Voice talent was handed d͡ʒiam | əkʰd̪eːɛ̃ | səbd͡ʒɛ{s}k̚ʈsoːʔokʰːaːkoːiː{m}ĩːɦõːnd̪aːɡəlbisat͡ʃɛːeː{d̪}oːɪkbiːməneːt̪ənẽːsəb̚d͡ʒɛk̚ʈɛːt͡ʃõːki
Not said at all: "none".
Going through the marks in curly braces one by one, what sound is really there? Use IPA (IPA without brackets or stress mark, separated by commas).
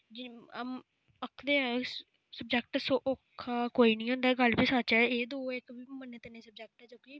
none, n, d̪